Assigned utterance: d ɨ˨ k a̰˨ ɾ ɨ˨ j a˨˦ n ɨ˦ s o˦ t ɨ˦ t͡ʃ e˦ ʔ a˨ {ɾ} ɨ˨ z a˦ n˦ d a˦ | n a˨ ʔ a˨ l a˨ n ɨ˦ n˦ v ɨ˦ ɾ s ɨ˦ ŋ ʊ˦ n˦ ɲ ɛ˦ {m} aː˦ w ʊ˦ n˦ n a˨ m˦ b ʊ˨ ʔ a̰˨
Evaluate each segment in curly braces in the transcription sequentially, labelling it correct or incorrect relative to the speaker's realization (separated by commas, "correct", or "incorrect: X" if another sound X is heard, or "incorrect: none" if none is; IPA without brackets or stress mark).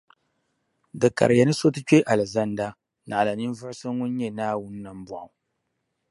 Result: incorrect: l, incorrect: n